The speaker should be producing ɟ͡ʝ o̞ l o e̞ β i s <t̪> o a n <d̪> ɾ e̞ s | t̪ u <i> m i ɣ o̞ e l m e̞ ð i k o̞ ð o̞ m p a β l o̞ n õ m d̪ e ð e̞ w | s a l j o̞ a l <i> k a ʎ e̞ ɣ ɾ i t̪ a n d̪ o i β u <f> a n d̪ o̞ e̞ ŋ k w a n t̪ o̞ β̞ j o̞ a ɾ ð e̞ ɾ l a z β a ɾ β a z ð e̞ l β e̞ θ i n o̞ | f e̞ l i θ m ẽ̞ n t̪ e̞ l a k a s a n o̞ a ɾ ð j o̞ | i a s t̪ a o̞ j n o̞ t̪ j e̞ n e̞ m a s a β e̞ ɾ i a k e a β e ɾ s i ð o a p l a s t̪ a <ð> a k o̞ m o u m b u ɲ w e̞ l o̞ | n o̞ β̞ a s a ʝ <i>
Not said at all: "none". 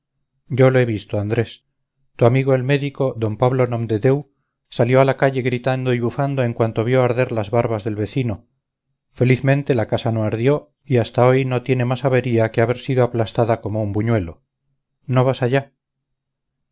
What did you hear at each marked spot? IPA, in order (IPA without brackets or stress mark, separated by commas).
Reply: t̪, d̪, a, a, f, ð, a